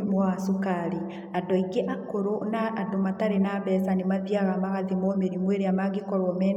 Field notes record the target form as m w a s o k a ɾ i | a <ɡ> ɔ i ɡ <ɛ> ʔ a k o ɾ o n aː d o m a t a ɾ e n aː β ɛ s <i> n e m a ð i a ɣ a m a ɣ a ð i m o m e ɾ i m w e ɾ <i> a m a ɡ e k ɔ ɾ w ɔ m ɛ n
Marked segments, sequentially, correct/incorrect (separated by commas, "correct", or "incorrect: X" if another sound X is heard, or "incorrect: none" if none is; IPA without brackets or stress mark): incorrect: d, incorrect: e, incorrect: a, incorrect: e